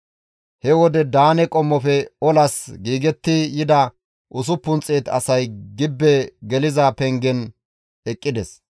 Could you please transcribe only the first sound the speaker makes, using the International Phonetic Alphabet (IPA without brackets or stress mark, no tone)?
h